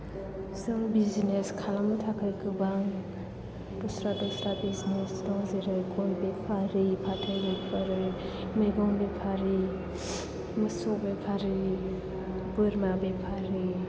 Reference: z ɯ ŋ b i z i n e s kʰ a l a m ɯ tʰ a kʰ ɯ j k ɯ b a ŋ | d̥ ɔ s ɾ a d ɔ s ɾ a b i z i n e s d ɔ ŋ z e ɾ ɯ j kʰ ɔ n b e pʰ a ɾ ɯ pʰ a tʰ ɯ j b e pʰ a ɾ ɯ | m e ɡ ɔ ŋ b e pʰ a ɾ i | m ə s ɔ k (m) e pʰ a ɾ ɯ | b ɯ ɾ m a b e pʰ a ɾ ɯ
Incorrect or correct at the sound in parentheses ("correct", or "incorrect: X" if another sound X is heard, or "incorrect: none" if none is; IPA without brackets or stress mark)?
incorrect: b